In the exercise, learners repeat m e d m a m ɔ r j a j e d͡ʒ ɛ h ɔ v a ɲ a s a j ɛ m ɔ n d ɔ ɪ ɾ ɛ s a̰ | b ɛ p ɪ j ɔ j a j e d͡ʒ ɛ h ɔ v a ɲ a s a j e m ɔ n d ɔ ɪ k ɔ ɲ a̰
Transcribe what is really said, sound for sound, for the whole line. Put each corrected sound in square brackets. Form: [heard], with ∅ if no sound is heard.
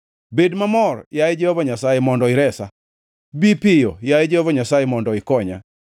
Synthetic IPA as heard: [b] e d m a m ɔ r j a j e d͡ʒ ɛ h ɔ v a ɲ a s a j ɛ m ɔ n d ɔ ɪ ɾ ɛ s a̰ | b [i] p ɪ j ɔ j a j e d͡ʒ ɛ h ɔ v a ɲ a s a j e m ɔ n d ɔ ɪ k ɔ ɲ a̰